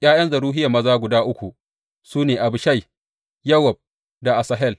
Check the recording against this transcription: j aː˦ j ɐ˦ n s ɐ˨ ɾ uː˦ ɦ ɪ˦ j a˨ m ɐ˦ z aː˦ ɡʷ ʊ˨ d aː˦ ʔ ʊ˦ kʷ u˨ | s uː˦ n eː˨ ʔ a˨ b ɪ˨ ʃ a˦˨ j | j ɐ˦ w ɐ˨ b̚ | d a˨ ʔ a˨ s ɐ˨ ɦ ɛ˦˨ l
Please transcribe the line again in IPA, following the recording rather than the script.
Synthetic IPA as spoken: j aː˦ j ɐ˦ n z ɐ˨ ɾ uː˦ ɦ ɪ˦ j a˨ m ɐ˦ z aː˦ ɡʷ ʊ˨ d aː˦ ʔ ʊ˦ kʷ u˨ | s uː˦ n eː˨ ʔ a˨ b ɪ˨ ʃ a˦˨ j | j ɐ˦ w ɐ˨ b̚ | d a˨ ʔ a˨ s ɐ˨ ɦ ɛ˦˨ l